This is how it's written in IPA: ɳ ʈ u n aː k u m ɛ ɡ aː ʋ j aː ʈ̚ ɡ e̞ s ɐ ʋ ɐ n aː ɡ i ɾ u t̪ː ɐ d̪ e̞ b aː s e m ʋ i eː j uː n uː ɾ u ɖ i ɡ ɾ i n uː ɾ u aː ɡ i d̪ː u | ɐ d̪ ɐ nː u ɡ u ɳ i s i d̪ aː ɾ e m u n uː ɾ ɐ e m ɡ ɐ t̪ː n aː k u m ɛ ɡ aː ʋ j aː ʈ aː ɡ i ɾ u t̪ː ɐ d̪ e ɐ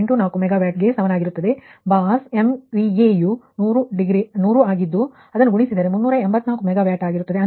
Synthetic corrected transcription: ɳ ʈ u n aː k u m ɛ ɡ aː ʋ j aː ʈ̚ ɡ e̞ s ɐ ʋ ɐ n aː ɡ i ɾ u t̪ː ɐ d̪ e̞ b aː s e m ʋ i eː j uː n uː ɾ u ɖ i ɡ ɾ i n uː ɾ u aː ɡ i d̪ː u | ɐ d̪ ɐ nː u ɡ u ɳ i s i d̪ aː ɾ e m u nː uː ɾ ɐ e m b ɐ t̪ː n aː k u m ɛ ɡ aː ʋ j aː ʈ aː ɡ i ɾ u t̪ː ɐ d̪ e ɐ